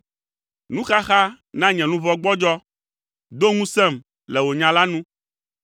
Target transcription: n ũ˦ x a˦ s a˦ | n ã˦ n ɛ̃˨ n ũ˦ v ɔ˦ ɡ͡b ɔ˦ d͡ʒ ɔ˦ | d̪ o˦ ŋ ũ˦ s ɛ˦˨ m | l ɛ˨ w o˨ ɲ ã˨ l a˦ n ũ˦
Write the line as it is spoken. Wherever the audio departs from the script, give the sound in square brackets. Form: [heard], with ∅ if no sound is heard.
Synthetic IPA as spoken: n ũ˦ x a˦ [x] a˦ | n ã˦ [ɲ] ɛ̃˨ n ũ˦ v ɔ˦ ɡ͡b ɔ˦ d͡ʒ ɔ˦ | d̪ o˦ ŋ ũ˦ s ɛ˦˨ m | l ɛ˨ w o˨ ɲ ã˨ l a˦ n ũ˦